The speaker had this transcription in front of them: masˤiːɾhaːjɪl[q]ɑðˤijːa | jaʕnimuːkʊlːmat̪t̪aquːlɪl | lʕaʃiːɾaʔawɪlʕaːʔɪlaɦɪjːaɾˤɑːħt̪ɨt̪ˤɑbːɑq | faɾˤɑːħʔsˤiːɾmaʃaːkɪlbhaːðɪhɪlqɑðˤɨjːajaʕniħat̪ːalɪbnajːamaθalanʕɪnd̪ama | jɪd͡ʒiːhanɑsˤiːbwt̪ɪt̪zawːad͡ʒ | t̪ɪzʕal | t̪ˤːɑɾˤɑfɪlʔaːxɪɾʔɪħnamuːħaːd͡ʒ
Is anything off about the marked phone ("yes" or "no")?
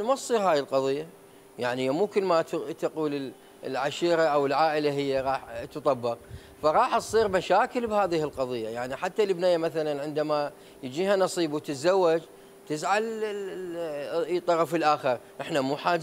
no